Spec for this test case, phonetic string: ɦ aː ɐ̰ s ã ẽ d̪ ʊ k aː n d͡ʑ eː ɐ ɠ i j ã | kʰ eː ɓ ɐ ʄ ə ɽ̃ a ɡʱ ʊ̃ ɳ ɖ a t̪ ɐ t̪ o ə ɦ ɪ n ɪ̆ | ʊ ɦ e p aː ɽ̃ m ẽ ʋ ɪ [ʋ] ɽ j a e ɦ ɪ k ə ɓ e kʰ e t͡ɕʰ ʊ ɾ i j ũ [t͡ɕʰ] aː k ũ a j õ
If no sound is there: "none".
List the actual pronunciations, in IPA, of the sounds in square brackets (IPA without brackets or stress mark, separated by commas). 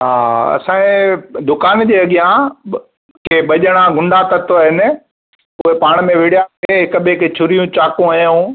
none, t͡ɕ